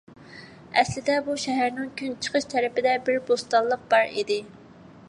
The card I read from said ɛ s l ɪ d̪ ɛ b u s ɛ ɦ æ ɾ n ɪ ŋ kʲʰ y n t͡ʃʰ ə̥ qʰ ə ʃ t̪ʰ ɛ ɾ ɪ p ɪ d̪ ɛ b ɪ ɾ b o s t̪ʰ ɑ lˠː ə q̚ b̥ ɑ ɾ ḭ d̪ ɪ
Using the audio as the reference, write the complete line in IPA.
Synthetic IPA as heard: ɛ s l ɪ d̪ ɛ b u ʃ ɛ ɦ æ ɾ n ɪ ŋ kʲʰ y n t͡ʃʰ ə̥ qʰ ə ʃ t̪ʰ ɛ ɾ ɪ p ɪ d̪ ɛ b ɪ ɾ b o s t̪ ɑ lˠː ə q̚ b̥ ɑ ɾ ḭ d̪ ɪ